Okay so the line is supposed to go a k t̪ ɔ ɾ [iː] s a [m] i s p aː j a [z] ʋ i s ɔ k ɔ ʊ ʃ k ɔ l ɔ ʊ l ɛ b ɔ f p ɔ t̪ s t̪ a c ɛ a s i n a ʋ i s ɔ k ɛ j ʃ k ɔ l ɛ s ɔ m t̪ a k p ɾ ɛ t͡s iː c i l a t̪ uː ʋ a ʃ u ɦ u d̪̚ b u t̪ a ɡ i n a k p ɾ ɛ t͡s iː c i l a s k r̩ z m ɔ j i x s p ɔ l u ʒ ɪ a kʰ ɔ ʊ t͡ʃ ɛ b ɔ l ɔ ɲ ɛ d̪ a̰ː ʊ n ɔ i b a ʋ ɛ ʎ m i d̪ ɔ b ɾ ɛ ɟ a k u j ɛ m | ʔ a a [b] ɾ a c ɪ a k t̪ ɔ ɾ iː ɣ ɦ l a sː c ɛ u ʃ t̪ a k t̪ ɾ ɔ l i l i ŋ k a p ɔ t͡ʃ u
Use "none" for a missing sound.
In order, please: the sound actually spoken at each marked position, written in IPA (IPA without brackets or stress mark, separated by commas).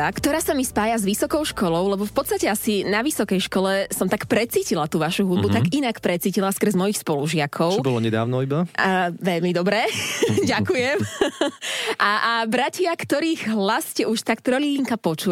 aː, m, z, b